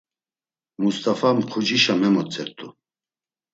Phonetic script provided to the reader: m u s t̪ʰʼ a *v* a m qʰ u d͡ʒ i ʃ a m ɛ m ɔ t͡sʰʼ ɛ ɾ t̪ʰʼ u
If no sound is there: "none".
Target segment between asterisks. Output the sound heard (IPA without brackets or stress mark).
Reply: f